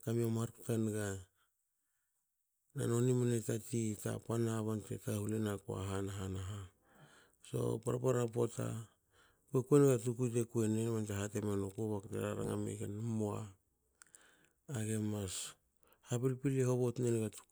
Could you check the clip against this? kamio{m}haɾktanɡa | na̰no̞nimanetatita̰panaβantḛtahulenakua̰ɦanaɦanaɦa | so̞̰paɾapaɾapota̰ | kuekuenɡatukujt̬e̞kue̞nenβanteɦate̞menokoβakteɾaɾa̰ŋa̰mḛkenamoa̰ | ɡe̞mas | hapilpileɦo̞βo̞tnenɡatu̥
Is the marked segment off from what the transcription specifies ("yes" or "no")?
no